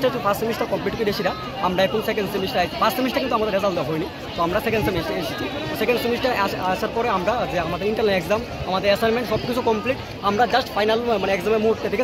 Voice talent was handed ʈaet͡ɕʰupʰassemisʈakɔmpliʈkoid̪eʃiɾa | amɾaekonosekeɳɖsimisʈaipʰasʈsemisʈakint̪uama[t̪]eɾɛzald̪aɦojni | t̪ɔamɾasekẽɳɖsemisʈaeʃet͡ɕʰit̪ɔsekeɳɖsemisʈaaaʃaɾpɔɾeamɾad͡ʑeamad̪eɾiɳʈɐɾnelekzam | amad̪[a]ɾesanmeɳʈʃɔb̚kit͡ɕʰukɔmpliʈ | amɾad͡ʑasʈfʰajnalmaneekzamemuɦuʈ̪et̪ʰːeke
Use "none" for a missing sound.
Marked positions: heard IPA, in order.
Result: d̪, e

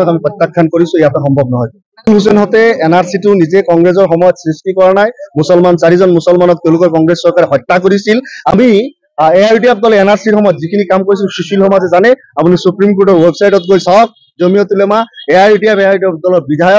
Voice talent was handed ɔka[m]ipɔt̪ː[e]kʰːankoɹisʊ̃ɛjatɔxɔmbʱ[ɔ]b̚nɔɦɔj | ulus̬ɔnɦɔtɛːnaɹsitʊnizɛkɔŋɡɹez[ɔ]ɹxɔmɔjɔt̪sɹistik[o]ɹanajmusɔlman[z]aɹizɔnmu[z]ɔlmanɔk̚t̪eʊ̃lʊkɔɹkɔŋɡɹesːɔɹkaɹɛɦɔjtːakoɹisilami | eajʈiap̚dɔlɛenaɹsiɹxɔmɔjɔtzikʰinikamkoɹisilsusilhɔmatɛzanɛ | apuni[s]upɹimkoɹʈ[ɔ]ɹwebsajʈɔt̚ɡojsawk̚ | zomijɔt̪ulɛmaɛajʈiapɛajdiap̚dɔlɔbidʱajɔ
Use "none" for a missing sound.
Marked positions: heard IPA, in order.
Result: m, a, ɔ, ɔ, ɔ, s, s, s, ɔ

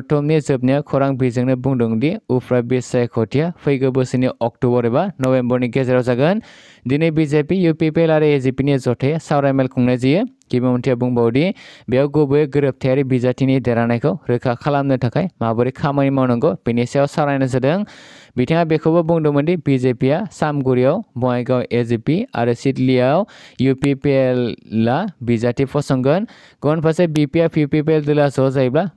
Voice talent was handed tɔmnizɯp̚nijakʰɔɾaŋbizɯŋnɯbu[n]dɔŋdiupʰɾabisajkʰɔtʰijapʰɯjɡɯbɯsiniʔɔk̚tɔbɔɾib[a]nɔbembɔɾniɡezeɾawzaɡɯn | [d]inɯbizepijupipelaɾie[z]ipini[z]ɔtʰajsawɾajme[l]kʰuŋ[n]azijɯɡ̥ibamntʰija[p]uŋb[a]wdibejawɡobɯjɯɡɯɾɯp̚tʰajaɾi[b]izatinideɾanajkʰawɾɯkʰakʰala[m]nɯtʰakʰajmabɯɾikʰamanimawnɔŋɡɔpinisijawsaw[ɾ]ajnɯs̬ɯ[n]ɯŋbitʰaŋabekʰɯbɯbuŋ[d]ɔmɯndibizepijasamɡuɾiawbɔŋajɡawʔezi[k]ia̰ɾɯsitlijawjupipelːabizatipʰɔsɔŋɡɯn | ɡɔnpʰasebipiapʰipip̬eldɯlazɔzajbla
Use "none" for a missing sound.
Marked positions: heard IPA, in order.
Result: ŋ, a, d, z, z, l, n, b, a, b, m, ɾ, d, d, p

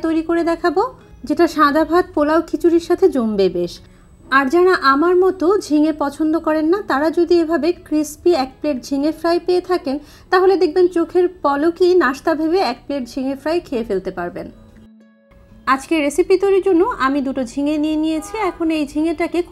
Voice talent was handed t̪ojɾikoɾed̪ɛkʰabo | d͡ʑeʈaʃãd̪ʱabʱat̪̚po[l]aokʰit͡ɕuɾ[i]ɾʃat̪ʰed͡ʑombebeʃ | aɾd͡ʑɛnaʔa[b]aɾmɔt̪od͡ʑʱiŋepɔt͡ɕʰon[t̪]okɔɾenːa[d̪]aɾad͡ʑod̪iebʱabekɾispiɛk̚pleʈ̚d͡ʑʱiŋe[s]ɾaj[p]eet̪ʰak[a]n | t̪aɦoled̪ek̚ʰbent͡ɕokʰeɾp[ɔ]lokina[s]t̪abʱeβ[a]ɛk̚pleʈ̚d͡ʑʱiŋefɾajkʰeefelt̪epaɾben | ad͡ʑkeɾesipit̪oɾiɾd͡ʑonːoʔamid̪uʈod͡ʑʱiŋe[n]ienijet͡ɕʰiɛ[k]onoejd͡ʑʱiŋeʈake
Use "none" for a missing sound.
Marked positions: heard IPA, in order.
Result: l, i, m, d̪, t̪, f, p, e, ɔ, ʃ, e, n, kʰ

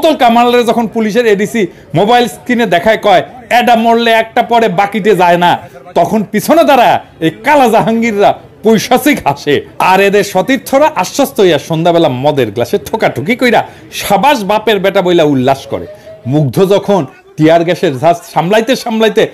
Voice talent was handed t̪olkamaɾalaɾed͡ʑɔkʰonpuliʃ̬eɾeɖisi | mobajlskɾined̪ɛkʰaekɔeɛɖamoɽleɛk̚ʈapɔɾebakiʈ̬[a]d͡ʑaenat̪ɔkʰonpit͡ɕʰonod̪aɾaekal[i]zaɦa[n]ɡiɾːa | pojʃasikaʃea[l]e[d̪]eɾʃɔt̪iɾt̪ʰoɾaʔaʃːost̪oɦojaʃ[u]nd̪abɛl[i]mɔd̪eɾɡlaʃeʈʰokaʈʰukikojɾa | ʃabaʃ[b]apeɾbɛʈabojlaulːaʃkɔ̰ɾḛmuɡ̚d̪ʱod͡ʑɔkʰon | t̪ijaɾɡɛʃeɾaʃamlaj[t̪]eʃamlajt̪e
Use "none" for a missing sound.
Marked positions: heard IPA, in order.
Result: e, a, ŋ, ɾ, d̪, o, a, b, t̪

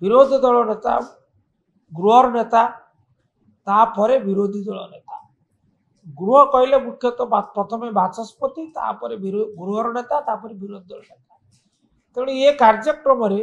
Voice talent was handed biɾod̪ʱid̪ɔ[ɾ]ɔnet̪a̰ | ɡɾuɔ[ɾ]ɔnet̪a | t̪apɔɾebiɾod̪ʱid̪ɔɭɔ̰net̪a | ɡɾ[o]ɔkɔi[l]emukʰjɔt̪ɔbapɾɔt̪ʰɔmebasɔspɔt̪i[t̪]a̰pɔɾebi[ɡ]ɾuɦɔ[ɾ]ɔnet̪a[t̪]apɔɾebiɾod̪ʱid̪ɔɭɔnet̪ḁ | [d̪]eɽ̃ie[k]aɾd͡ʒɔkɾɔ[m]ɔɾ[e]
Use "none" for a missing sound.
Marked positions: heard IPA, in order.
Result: ɭ, ɾ, u, l, t̪, ɡ, ɾ, t̪, t̪, k, m, e

